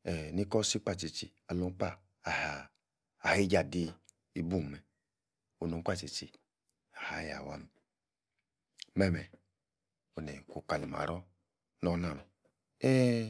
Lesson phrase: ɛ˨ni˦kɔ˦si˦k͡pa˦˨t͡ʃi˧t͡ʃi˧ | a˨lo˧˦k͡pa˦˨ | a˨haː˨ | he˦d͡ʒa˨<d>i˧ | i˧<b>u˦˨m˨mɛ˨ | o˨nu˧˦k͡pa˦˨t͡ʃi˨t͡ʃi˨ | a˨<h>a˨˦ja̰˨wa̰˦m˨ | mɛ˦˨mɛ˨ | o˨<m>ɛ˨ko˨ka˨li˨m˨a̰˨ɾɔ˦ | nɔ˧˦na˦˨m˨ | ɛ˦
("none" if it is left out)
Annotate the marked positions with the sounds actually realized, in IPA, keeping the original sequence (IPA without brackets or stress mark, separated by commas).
d, b, h, n